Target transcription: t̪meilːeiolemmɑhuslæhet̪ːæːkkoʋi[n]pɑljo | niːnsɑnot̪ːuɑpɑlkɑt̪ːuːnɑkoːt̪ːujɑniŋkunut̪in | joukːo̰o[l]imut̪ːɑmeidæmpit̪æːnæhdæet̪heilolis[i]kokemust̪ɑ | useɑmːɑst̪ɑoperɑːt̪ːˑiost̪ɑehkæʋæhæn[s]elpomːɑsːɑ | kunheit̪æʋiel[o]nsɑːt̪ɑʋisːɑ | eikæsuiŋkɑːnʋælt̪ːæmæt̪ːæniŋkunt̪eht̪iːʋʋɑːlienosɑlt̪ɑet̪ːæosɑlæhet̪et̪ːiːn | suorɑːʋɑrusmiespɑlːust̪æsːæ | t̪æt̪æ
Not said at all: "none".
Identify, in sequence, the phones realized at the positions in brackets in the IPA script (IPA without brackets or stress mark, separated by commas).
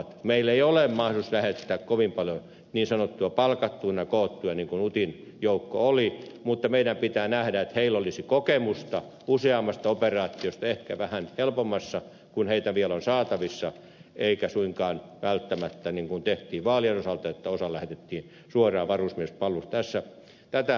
m, l, i, h, o